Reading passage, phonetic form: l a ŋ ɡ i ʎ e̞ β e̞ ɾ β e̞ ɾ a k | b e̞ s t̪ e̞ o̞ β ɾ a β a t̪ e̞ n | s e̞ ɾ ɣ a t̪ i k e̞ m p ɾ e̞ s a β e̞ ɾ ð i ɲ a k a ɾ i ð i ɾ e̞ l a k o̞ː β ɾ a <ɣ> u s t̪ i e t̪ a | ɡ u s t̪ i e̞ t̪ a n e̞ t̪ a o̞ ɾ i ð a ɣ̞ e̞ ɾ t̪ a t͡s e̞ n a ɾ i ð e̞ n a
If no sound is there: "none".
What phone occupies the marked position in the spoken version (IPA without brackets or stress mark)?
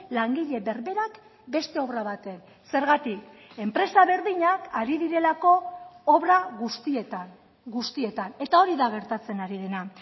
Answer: ɣ